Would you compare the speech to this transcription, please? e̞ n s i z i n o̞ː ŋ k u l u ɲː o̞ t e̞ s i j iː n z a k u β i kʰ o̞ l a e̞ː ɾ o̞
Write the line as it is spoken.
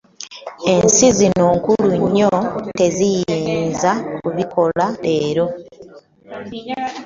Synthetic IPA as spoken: e̞ n s i z i n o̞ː ŋ k u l u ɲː o̞ t e̞ z i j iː n z a k u β i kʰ o̞ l a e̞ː ɾ o̞